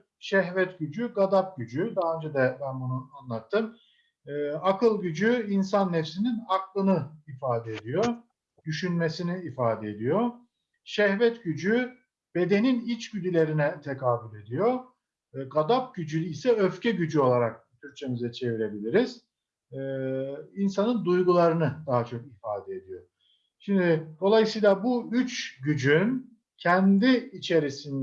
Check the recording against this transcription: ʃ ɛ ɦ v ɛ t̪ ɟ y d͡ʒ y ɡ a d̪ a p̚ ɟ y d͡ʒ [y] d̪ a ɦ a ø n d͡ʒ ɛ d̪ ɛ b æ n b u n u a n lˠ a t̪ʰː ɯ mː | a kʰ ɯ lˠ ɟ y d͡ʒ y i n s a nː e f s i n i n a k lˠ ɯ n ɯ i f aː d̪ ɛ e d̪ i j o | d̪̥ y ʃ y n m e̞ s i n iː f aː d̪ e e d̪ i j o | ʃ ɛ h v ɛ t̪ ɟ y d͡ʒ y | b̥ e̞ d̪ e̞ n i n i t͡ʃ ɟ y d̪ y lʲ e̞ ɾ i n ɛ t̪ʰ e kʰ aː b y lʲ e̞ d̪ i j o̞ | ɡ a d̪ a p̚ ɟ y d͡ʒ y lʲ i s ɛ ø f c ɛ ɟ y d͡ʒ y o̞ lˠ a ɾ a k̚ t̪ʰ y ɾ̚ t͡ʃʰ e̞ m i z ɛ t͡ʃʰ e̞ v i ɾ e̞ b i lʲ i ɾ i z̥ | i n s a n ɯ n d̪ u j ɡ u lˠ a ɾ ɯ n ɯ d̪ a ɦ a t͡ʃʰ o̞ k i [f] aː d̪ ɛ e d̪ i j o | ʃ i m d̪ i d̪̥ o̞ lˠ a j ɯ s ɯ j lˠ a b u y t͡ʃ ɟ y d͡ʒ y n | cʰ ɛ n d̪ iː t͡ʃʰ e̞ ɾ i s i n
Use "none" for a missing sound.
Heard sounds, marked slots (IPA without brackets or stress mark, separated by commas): y, f